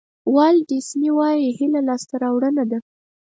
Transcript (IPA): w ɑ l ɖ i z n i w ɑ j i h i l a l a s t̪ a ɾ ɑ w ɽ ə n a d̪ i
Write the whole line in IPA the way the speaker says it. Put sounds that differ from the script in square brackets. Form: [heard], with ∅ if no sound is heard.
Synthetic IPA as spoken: w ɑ l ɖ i [s] n i w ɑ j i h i l a l [ɑ] s t̪ a ɾ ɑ w ɽ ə n a d̪ [a]